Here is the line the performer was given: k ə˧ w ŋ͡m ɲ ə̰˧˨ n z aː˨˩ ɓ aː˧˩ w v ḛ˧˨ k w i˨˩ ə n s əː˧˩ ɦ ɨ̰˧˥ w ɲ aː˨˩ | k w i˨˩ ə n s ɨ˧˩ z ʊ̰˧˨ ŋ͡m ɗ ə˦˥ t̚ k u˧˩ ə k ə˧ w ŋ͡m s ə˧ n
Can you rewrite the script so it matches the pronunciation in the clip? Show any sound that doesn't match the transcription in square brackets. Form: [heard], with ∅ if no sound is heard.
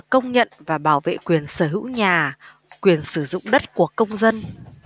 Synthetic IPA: k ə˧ w ŋ͡m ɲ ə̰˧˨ n [v] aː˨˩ ɓ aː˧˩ w v ḛ˧˨ k w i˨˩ ə n s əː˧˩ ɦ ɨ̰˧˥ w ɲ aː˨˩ | k w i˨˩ ə n s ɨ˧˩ z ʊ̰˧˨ ŋ͡m ɗ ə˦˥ t̚ k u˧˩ ə k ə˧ w ŋ͡m [z] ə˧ n